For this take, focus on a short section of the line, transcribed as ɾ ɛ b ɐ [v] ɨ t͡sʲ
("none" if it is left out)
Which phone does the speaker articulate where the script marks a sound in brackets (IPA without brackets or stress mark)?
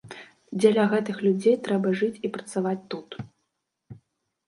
ʐ